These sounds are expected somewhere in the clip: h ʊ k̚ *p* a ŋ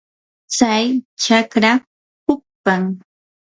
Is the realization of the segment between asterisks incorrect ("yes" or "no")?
no